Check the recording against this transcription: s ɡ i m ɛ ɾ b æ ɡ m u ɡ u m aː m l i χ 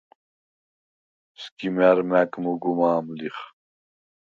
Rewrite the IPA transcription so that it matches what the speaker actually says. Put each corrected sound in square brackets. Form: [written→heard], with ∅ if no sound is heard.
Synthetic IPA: s [ɡ→k] i m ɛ ɾ [b→m] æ [ɡ→k] m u ɡ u m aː m l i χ